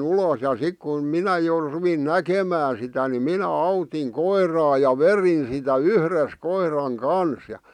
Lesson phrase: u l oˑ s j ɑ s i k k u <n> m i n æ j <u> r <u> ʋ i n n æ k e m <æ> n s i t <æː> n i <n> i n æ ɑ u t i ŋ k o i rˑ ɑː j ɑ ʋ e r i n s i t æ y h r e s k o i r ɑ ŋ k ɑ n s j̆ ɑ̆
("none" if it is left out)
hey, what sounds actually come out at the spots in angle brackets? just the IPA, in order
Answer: n, o, u, æː, æ, m

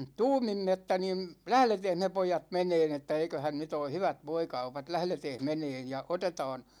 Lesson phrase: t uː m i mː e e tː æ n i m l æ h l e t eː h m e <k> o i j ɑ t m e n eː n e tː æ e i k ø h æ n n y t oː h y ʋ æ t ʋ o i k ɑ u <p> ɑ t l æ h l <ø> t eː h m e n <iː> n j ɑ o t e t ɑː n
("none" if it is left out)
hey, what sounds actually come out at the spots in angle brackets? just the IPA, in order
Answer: p, p, e, eː

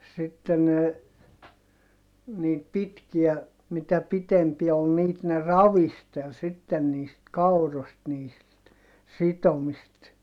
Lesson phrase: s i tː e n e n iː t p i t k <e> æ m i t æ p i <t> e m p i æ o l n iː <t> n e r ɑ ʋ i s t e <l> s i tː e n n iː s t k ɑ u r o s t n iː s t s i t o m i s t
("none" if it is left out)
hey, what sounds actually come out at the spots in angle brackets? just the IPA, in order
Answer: i, t, t, l

